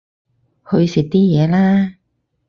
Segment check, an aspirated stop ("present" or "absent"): absent